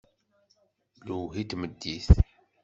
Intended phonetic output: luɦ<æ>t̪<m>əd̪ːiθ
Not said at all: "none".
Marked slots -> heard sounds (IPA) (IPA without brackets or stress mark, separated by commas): i, m